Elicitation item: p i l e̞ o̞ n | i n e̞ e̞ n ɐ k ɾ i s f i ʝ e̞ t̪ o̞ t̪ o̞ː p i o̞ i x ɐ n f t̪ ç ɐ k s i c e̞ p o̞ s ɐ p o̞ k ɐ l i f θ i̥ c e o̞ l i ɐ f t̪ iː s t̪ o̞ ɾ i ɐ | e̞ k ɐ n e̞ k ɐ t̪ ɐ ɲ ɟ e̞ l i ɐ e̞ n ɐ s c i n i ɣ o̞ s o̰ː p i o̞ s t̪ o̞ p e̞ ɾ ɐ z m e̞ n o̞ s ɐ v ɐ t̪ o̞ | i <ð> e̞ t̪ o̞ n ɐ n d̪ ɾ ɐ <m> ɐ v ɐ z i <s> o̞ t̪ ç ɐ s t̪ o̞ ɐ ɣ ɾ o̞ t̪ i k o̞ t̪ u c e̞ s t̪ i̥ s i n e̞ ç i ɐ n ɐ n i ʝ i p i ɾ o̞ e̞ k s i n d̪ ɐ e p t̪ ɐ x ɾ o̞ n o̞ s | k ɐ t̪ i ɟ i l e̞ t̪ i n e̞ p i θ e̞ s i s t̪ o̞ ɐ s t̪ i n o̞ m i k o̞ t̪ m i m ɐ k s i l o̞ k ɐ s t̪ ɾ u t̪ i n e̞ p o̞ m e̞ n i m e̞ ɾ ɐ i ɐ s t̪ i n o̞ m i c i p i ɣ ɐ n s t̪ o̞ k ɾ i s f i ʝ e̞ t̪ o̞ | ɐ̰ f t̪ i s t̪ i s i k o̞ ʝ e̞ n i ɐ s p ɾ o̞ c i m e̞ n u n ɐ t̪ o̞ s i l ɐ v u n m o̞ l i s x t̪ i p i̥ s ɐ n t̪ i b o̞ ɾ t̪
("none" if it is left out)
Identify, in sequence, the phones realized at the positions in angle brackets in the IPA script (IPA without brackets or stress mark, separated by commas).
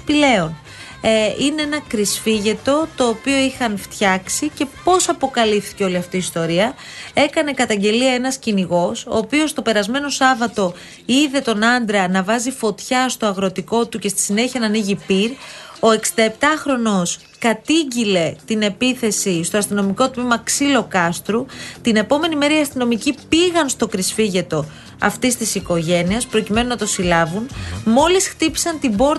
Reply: ð, n, f